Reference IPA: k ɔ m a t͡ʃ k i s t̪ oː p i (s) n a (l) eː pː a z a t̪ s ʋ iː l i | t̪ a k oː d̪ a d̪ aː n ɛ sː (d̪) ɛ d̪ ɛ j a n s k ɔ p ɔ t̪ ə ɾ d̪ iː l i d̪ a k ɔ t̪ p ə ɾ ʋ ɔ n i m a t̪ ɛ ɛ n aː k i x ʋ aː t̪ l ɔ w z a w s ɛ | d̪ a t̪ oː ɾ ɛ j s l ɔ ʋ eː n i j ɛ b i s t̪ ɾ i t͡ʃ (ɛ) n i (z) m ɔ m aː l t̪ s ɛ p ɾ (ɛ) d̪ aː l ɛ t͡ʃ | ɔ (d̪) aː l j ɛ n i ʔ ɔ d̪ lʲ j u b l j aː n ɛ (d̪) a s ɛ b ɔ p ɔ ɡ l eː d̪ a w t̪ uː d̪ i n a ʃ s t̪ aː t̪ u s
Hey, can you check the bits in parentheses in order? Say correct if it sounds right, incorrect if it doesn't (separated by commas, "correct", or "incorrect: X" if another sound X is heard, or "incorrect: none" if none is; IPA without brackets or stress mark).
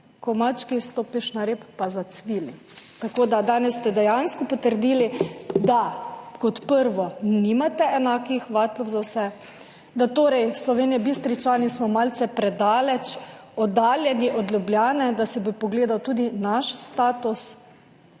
incorrect: ʃ, incorrect: ɾ, incorrect: t̪, incorrect: a, incorrect: s, correct, correct, correct